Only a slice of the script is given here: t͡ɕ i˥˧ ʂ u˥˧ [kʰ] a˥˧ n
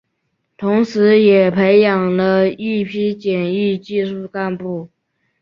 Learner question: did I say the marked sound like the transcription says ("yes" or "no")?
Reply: no